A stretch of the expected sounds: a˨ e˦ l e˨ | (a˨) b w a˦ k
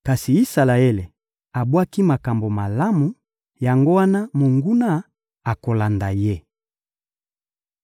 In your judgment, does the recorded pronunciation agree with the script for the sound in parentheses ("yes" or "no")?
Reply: yes